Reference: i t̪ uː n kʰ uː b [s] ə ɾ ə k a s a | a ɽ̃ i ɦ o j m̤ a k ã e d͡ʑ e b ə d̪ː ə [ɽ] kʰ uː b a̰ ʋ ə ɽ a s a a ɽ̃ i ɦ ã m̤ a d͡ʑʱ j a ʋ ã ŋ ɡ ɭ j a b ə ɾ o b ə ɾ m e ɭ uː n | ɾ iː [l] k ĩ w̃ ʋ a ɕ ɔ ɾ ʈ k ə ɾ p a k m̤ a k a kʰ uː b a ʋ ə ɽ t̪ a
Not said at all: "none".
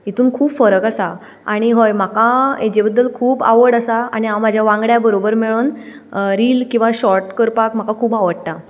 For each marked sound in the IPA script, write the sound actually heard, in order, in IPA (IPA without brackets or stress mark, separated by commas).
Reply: f, l, l